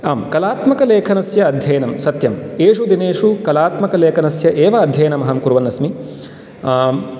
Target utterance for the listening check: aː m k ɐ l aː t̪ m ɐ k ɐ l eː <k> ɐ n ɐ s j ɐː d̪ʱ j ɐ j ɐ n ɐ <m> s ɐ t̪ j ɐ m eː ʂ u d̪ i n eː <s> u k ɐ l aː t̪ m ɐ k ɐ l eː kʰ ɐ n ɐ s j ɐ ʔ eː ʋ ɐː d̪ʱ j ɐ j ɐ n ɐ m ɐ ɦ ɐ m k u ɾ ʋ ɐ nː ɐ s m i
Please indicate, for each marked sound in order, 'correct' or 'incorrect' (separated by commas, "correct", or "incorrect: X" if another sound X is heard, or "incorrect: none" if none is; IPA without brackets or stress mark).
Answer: incorrect: kʰ, correct, incorrect: ʂ